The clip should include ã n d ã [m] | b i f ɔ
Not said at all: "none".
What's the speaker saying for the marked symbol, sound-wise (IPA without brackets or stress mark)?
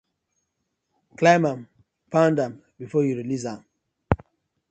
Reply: m